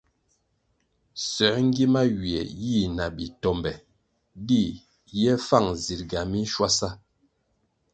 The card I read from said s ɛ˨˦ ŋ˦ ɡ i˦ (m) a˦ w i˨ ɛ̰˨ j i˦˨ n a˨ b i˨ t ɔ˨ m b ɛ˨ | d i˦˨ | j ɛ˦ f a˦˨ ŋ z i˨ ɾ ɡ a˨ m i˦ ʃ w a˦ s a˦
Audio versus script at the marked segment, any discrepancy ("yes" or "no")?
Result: no